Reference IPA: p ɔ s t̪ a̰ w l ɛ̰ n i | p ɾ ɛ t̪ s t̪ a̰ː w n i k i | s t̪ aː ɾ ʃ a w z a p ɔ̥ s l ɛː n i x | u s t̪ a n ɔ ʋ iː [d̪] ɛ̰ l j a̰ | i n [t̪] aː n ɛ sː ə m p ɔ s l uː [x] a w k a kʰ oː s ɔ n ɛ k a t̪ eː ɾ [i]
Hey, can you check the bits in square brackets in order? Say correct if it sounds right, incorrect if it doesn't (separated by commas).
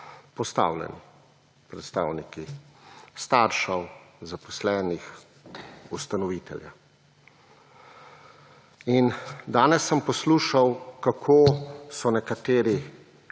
incorrect, incorrect, incorrect, correct